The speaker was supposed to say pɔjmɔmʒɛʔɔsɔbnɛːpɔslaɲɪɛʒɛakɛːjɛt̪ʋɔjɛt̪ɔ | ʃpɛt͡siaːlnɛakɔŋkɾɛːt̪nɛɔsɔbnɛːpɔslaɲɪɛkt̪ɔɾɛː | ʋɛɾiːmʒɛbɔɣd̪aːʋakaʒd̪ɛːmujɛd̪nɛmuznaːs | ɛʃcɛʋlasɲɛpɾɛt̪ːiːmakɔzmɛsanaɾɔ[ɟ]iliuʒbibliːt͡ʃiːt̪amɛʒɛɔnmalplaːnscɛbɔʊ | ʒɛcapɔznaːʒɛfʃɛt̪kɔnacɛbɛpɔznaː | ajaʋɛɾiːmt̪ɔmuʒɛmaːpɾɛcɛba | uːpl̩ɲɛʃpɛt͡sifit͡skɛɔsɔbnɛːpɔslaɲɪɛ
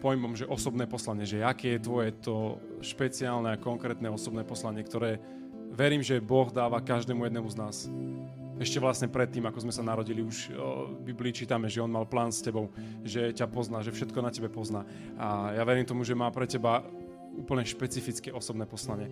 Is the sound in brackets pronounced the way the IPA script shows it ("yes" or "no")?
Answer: yes